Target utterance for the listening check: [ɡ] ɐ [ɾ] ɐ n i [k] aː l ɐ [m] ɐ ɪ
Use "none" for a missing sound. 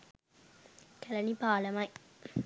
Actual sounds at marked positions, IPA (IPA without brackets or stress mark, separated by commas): k, l, p, m